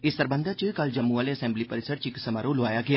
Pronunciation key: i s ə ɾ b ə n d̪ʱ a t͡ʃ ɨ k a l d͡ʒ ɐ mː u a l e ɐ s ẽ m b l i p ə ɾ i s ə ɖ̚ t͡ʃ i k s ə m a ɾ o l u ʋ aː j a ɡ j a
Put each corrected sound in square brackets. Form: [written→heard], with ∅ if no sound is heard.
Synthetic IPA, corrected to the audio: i s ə ɾ b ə n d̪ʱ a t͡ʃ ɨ k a l d͡ʒ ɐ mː u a l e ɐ s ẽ m b l i p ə ɾ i s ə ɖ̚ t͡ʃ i k s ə m a ɾ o l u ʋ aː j a ɡ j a

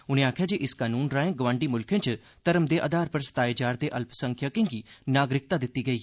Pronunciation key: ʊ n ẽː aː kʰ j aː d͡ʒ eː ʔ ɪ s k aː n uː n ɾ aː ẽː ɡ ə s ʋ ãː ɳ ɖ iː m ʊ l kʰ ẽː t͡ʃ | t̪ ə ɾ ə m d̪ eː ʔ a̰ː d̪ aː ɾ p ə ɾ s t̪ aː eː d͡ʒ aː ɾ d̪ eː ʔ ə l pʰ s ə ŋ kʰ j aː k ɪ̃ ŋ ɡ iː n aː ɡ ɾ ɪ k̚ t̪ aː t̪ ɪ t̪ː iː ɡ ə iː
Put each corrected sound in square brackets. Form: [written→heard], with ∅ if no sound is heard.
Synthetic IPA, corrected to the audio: ʊ n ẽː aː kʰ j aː d͡ʒ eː ʔ ɪ s k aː n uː n ɾ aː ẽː ɡ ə [s→∅] ʋ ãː ɳ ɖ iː m ʊ l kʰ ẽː t͡ʃ | t̪ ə ɾ ə m d̪ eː ʔ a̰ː d̪ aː ɾ p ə ɾ s t̪ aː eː d͡ʒ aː ɾ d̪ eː ʔ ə l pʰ s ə ŋ kʰ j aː k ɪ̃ ŋ ɡ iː n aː ɡ ɾ ɪ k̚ t̪ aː [t̪→d̪] ɪ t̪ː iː ɡ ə iː

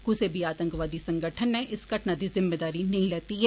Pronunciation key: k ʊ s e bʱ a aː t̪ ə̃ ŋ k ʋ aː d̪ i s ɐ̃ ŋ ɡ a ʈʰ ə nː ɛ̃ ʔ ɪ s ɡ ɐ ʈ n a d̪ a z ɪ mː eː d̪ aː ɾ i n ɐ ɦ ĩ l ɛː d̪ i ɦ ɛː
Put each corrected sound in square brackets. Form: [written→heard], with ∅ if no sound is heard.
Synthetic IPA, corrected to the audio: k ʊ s e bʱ [a→i] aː t̪ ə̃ ŋ k ʋ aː d̪ i s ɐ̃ ŋ ɡ [a→ə] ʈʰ ə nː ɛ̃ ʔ ɪ s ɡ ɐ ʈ n a d̪ [a→i] z ɪ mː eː d̪ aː ɾ i n ɐ ɦ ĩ l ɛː [d̪→t̪] i ɦ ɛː

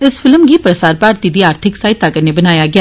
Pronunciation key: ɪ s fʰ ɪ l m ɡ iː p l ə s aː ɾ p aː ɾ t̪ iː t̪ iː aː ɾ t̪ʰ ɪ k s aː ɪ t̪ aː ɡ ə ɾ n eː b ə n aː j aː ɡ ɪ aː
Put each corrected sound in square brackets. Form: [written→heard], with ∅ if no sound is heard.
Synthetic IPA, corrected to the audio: ɪ s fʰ ɪ l m ɡ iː p [l→ɾ] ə s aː ɾ p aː ɾ t̪ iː [t̪→d̪] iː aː ɾ t̪ʰ ɪ k s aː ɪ t̪ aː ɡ ə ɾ n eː b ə n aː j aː ɡ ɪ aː

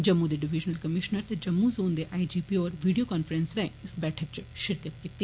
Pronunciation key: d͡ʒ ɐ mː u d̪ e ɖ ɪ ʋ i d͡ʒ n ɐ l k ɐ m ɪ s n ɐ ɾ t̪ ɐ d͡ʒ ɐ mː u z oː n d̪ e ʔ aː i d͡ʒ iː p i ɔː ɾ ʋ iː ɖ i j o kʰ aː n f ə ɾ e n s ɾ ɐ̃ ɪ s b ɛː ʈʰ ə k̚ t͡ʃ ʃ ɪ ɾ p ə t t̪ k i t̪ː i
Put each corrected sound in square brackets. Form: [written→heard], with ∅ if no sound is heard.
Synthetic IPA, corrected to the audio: d͡ʒ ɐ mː u d̪ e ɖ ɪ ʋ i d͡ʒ n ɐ l k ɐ m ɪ [s→ʃ] n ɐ ɾ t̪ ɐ d͡ʒ ɐ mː u z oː n d̪ e ʔ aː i d͡ʒ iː p i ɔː ɾ ʋ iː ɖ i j o [kʰ→k] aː n f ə ɾ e n s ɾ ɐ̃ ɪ s b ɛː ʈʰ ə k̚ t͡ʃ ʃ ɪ ɾ [p→k] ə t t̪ k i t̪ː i

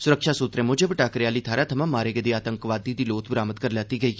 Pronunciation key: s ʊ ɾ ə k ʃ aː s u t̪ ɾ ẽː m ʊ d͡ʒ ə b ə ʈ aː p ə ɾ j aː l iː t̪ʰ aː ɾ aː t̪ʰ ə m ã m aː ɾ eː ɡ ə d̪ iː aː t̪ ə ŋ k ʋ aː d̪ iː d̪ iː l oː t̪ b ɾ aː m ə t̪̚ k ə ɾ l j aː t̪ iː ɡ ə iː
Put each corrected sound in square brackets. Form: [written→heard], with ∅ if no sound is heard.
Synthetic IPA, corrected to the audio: s ʊ ɾ ə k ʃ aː s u t̪ ɾ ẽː m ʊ d͡ʒ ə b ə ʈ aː [p→k] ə ɾ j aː l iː t̪ʰ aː ɾ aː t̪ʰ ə m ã m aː ɾ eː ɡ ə d̪ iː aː t̪ ə ŋ k ʋ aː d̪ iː d̪ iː l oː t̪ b ɾ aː m ə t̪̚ k ə ɾ l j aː t̪ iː ɡ ə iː

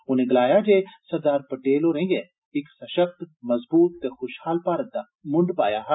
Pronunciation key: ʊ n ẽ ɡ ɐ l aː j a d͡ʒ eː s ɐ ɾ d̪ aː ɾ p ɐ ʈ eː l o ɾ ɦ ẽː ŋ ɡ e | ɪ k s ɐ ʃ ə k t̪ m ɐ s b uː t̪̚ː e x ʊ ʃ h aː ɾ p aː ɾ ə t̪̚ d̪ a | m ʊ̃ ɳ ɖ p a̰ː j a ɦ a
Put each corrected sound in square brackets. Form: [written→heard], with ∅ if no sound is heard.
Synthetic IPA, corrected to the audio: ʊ n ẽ ɡ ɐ l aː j a d͡ʒ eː s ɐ ɾ d̪ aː ɾ p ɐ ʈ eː l o ɾ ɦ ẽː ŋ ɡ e | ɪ k s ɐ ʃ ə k t̪ m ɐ [s→z] b uː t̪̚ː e x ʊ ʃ h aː [ɾ→l] p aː ɾ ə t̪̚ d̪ a | m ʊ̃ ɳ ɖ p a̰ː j a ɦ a

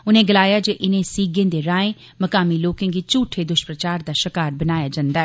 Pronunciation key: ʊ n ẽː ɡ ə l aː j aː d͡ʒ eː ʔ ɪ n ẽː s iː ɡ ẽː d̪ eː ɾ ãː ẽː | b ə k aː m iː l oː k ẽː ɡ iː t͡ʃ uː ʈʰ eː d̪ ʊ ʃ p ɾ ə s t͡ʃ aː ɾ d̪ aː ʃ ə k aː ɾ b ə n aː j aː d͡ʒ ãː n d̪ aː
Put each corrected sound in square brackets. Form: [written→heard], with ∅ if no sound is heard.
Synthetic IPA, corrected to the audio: ʊ n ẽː ɡ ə l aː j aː d͡ʒ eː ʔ ɪ n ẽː s iː ɡ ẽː d̪ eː ɾ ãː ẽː | [b→m] ə k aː m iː l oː k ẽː ɡ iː t͡ʃ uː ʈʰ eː d̪ ʊ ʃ p ɾ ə [s→∅] t͡ʃ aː ɾ d̪ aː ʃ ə k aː ɾ b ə n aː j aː d͡ʒ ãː n d̪ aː

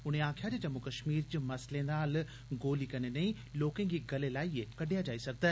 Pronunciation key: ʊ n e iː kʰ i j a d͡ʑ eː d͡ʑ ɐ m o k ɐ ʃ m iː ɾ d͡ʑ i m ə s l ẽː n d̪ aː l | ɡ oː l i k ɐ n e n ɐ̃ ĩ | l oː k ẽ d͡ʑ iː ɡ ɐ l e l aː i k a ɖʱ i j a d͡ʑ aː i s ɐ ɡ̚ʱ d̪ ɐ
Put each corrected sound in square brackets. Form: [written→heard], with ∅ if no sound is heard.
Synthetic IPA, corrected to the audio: ʊ n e [iː→aː] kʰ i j a d͡ʑ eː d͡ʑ ɐ m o k ɐ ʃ m iː ɾ d͡ʑ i m [ə→ɐ] s l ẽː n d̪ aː l | ɡ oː l i k ɐ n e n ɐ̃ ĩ | l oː k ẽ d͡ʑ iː ɡ ɐ l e l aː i k [a→ɐ] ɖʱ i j a d͡ʑ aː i s ɐ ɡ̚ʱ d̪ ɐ

